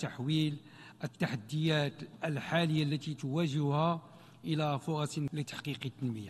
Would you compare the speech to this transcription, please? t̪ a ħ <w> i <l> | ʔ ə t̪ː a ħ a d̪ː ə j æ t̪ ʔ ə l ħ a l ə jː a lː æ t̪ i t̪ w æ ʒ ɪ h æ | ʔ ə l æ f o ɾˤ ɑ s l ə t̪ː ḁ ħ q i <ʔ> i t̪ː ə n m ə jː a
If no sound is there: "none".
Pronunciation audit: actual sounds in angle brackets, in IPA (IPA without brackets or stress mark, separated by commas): w, l, q